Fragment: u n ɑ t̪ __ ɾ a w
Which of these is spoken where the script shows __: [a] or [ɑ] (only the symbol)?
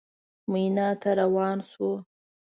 a